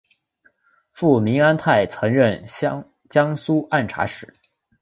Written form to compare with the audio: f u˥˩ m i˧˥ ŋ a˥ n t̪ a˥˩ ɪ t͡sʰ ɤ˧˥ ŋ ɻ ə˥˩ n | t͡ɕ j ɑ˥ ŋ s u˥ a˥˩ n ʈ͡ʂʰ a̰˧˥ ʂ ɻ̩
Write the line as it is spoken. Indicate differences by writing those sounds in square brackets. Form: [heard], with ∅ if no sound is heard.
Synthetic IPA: f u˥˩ m i˧˥ ŋ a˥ n [t̪ʰ] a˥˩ ɪ t͡sʰ ɤ˧˥ ŋ ɻ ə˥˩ n | t͡ɕ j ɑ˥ ŋ s u˥ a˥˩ n ʈ͡ʂʰ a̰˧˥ ʂ ɻ̩

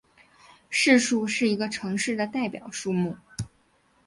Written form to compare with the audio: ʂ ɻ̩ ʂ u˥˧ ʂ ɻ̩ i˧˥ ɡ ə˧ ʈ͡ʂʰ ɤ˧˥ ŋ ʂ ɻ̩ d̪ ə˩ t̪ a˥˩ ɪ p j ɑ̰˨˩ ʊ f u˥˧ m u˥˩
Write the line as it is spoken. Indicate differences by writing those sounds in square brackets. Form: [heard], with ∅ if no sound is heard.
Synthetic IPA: ʂ ɻ̩ ʂ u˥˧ ʂ ɻ̩ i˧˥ ɡ ə˧ ʈ͡ʂʰ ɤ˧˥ ŋ ʂ ɻ̩ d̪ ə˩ t̪ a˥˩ ɪ p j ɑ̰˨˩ ʊ [ʂ] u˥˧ m u˥˩

